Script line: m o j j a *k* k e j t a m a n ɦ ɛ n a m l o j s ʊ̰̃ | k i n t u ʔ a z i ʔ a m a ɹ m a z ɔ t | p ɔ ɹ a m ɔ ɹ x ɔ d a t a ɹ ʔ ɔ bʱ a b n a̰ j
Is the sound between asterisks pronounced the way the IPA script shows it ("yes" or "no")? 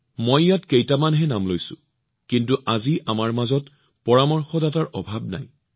no